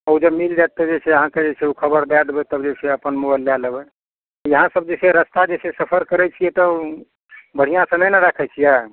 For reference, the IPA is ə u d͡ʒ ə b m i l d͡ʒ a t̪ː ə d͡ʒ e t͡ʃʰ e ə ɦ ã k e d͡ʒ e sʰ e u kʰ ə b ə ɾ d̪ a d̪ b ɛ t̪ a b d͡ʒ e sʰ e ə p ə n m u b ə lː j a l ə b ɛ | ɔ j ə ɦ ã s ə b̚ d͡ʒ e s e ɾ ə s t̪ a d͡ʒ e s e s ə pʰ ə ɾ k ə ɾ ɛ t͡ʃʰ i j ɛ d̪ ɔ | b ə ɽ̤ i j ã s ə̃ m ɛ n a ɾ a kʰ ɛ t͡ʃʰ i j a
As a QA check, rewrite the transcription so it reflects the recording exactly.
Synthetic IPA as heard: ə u d͡ʒ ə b m i l d͡ʒ a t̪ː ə d͡ʒ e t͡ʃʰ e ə ɦ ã k e d͡ʒ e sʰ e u kʰ ə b ə ɾ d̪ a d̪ b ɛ t̪ ə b d͡ʒ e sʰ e ə p ə n m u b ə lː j a l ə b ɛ | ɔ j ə ɦ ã s ə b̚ d͡ʒ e s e ɾ ə s t̪ a d͡ʒ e s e s ə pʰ ə ɾ k ə ɾ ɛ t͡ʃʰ i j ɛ t̪ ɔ | b ə ɽ̤ i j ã s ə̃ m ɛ n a ɾ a kʰ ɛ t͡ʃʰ i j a